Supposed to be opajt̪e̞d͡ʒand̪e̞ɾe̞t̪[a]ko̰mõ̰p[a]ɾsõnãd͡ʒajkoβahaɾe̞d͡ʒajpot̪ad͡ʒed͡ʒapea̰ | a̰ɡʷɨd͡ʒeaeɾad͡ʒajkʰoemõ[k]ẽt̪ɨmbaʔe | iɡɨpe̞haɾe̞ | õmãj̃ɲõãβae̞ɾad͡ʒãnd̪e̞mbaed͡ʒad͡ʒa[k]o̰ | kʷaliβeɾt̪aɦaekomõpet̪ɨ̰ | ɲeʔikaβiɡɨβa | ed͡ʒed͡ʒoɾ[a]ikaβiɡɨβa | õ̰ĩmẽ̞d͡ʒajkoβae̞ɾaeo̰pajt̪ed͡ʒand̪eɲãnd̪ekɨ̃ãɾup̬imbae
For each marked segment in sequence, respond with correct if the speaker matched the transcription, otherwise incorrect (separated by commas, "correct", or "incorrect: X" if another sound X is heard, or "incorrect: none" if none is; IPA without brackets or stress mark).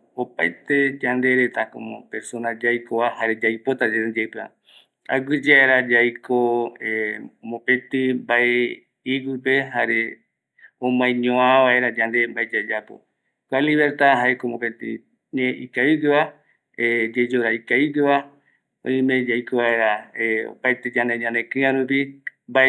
correct, incorrect: e, incorrect: p, incorrect: p, correct